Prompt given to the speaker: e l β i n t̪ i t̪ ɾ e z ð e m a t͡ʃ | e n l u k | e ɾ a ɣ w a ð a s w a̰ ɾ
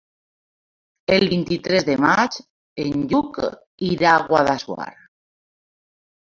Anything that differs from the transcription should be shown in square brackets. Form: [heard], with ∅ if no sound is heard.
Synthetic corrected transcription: e l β i n t̪ i t̪ ɾ e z ð e m a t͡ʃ | e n [ʎ] u k | [i] ɾ a ɣ w a ð a s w a̰ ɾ